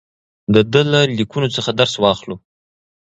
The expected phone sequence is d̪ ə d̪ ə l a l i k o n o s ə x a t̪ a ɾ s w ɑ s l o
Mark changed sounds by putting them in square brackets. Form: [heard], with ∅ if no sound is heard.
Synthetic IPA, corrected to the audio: d̪ ə d̪ ə l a l i k [u] n o [t͡s] ə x a [d̪] a ɾ s w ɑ [x] l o